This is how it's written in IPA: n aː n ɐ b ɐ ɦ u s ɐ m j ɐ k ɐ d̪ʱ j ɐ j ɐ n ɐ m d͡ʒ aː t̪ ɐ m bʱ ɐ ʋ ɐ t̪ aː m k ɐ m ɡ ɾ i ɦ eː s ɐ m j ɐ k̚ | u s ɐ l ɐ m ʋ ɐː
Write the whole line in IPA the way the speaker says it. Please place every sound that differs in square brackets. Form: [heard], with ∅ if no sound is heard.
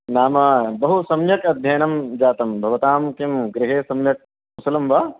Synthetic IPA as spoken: n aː [m] ɐ b ɐ ɦ u s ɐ m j ɐ k ɐ d̪ʱ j ɐ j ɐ n ɐ m d͡ʒ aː t̪ ɐ m bʱ ɐ ʋ ɐ t̪ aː m k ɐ m ɡ ɾ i ɦ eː s ɐ m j ɐ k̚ | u s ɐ l ɐ m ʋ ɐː